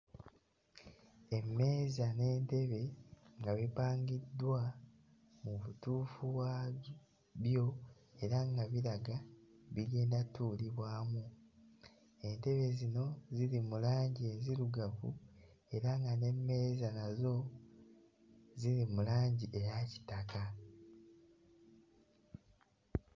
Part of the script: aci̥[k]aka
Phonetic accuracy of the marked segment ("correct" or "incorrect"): incorrect